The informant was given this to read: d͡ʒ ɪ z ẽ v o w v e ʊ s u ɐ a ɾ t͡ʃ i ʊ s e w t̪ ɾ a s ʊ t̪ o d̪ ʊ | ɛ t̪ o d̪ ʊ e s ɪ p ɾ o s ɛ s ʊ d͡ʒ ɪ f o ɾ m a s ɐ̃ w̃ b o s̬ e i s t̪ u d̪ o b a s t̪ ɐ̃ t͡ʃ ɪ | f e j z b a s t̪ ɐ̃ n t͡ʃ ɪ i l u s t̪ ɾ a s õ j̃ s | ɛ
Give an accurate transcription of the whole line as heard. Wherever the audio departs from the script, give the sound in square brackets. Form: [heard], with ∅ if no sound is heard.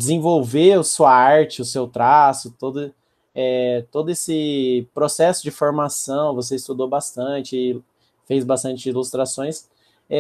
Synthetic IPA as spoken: d͡ʒ ɪ z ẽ v o w v e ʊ s u ɐ a ɾ t͡ʃ [ɪ] ʊ s e w t̪ ɾ a s ʊ t̪ o d̪ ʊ | ɛ t̪ o d̪ ʊ e s ɪ p ɾ o s ɛ s ʊ d͡ʒ ɪ f o ɾ m a s ɐ̃ w̃ [v] o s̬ e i s t̪ u d̪ o b a s t̪ ɐ̃ t͡ʃ ɪ | f e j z b a s t̪ ɐ̃ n t͡ʃ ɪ i l u s t̪ ɾ a s õ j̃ s | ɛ

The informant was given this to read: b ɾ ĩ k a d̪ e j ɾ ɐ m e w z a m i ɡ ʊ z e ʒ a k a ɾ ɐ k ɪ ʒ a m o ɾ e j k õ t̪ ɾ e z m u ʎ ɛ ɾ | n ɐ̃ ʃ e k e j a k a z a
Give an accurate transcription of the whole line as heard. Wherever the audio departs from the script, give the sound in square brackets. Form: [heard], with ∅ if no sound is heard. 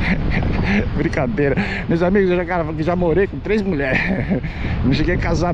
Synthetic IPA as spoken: b ɾ ĩ k a d̪ e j ɾ ɐ m e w z a m i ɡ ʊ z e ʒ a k a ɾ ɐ k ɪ ʒ a m o ɾ e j k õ t̪ ɾ e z m u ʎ ɛ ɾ | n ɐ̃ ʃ e [ɡ] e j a k a z a

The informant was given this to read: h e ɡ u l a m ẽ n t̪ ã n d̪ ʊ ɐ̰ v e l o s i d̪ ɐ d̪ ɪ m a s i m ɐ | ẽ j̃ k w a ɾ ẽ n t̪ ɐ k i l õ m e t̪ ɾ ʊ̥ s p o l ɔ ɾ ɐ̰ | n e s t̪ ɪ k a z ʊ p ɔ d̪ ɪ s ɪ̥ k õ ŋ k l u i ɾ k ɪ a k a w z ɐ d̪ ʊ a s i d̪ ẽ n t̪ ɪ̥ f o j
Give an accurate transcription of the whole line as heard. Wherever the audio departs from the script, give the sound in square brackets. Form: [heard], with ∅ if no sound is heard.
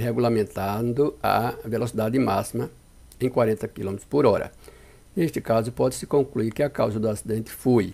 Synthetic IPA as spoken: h e ɡ u l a m ẽ n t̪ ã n d̪ ʊ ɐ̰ v e l o s i d̪ [a] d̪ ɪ m a s i m ɐ | ẽ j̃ k w a ɾ ẽ n t̪ ɐ k i l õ m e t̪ ɾ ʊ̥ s p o [ɾ] ɔ ɾ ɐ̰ | n e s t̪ ɪ k a z ʊ p ɔ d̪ ɪ s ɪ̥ k õ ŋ k l u i ɾ k ɪ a k a w z ɐ d̪ ʊ a s i d̪ ẽ n t̪ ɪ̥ f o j

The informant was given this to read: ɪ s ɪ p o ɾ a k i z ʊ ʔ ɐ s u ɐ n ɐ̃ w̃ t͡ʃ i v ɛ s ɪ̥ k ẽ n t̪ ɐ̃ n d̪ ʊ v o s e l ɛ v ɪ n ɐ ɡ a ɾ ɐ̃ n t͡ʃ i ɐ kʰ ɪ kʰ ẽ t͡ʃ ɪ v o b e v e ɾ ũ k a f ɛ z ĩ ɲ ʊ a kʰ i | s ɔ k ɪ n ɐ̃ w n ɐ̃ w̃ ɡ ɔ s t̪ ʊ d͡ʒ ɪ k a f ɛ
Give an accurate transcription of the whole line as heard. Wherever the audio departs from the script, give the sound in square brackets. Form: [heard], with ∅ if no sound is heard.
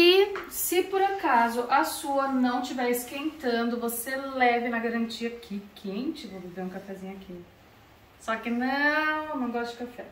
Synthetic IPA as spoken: ɪ s ɪ p o ɾ a k [a] z ʊ ʔ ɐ s u ɐ n ɐ̃ w̃ t͡ʃ i v ɛ s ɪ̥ k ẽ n t̪ ɐ̃ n d̪ ʊ v o s e l ɛ v ɪ n ɐ ɡ a ɾ ɐ̃ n t͡ʃ i ɐ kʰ ɪ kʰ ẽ t͡ʃ ɪ v o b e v e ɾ ũ k a f ɛ z ĩ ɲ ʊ a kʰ i | s ɔ k ɪ n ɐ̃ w n ɐ̃ w̃ ɡ ɔ s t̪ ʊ d͡ʒ ɪ k a f ɛ

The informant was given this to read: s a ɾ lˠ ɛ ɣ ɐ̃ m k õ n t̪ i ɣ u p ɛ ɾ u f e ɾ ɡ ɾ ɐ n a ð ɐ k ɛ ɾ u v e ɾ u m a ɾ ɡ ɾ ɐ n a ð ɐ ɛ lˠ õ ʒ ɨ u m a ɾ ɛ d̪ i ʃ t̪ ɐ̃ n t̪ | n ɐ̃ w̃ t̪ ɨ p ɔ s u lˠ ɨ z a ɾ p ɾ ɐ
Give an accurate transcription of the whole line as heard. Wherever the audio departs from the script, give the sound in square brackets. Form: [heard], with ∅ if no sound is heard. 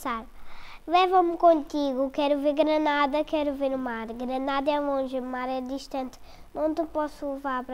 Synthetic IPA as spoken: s a ɾ lˠ ɛ [v] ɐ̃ m k õ n t̪ i ɣ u [k] ɛ ɾ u [v] e ɾ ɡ ɾ ɐ n a ð ɐ k ɛ ɾ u v e ɾ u m a ɾ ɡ ɾ ɐ n a ð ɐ ɛ lˠ õ ʒ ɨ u m a ɾ ɛ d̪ i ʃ t̪ ɐ̃ n t̪ | n ɐ̃ w̃ t̪ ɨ p ɔ s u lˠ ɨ [v] a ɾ p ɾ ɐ

